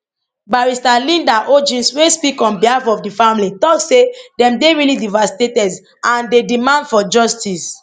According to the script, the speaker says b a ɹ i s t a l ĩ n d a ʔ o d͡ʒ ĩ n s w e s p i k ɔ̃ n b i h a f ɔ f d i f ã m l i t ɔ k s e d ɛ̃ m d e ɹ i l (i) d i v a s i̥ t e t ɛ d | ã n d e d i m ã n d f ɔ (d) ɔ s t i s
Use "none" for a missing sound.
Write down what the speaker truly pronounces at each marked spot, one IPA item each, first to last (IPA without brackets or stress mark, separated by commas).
i, d͡ʒ